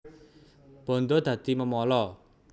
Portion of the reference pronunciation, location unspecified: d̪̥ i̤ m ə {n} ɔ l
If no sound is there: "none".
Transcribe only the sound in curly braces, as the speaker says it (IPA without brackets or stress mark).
m